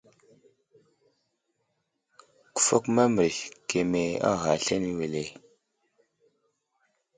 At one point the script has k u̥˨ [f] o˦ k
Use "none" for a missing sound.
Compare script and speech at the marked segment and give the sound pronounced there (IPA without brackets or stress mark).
f